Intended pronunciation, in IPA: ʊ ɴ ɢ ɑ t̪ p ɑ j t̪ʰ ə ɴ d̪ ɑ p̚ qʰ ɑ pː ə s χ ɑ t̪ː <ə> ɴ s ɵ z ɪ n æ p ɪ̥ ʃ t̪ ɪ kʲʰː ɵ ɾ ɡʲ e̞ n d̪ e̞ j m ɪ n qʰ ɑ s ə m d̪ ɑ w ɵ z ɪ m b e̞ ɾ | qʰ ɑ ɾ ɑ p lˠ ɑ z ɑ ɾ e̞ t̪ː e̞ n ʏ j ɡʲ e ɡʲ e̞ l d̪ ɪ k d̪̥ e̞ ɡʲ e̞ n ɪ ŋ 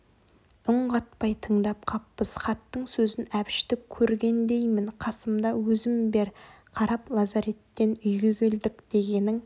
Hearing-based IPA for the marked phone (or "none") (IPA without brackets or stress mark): ə